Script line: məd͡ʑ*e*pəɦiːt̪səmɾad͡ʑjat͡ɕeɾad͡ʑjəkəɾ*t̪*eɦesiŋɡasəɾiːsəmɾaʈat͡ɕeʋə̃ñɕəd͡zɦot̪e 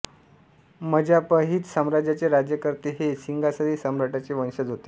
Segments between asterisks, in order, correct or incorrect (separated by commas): incorrect, correct